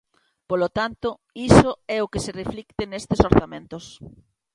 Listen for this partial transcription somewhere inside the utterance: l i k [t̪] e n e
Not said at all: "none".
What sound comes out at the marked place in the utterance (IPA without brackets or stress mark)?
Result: t̪